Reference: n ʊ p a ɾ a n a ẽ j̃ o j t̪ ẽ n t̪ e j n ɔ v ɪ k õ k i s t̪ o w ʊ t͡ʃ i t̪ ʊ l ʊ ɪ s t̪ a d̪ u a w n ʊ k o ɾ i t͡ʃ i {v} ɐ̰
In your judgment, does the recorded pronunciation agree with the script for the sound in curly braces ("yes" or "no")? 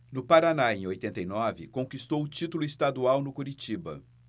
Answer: no